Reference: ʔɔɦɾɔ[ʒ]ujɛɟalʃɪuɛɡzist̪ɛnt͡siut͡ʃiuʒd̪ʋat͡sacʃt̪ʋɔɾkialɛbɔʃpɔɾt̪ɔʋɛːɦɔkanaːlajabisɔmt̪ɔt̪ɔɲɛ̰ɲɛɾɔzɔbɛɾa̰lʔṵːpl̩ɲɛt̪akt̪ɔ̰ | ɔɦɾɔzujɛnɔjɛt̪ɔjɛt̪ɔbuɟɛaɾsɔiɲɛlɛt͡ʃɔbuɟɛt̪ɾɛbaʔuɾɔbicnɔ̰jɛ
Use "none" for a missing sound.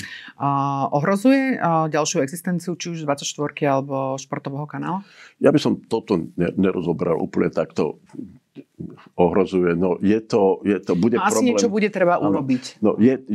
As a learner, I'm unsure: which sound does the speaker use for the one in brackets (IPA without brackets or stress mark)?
z